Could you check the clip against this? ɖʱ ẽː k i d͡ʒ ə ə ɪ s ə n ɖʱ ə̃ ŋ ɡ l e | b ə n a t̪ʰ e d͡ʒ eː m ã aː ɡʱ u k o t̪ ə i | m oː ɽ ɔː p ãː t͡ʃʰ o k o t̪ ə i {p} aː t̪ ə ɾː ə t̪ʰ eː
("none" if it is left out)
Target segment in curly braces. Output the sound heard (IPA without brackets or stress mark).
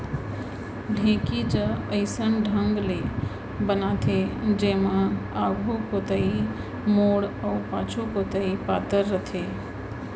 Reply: p